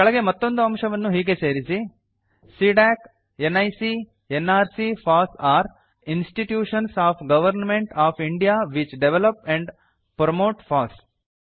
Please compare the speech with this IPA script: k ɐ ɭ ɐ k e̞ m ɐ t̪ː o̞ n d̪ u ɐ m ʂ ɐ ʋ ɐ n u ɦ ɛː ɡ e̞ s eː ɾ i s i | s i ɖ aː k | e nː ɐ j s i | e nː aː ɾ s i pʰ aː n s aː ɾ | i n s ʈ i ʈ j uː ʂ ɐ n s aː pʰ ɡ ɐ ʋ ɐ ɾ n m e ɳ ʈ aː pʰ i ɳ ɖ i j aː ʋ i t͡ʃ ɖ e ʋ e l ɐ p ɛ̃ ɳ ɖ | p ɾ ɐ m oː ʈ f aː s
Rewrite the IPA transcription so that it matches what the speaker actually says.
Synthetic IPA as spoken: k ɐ ɭ ɐ ɡ e̞ m ɐ t̪ː o̞ n d̪ u ɐ m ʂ ɐ ʋ ɐ nː u ɦ iː ɡ e̞ s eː ɾ i s i | s i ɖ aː k | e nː ɐ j s i | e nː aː ɾ s i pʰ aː s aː ɾ | i n s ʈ i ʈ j uː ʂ ɐ n s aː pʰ ɡ ɐ ʋ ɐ ɾ n m e ɳ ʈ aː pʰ i ɳ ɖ i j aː ʋ i t͡ʃ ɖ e ʋ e l ɐ p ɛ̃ ɳ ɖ | p ɾ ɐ m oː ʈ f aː s